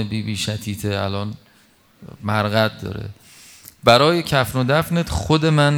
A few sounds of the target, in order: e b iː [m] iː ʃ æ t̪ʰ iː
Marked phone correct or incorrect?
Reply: incorrect